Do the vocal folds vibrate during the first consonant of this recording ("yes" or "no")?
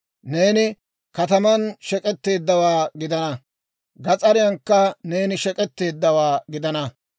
yes